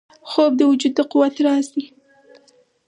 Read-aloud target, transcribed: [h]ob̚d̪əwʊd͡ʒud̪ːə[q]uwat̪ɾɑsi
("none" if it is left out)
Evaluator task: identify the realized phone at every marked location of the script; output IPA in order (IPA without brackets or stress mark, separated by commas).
x, q